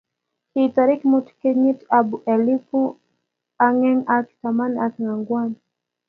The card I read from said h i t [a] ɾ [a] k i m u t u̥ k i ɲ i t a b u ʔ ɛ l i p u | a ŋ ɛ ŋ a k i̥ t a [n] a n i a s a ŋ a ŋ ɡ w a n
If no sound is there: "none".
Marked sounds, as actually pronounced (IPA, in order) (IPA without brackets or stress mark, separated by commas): a, i, m